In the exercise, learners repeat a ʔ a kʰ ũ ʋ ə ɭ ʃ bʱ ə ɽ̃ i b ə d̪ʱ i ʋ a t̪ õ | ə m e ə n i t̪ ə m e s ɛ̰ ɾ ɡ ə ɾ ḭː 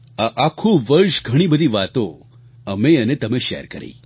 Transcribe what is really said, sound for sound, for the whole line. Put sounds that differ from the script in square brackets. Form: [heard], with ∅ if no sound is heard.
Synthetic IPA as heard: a ʔ a kʰ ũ ʋ ə [ɾ] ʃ [ɡʱ] ə ɽ̃ i b ə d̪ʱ i ʋ a t̪ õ | ə m e ə n [e] t̪ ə m e [ʃ] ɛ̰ ɾ [k] ə ɾ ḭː